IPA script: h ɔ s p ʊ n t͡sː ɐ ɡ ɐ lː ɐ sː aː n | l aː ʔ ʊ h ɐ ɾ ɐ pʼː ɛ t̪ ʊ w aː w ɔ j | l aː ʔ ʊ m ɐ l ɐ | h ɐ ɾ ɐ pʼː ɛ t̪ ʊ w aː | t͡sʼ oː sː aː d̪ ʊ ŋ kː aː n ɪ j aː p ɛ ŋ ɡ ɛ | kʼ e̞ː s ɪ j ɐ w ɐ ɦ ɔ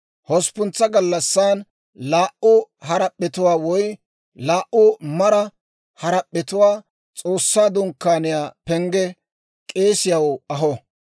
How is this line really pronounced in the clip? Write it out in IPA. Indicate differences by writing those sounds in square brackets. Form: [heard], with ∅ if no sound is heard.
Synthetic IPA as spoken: h ɔ s p ʊ n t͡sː ɐ ɡ ɐ lː ɐ sː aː n | l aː ʔ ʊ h ɐ ɾ ɐ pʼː ɛ t̪ ʊ w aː w ɔ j | l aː ʔ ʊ m ɐ [ɾ] ɐ | h ɐ ɾ ɐ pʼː ɛ t̪ ʊ w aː | t͡sʼ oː sː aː d̪ ʊ ŋ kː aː n ɪ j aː p ɛ ŋ ɡ ɛ | kʼ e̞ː s ɪ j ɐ w ɐ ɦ ɔ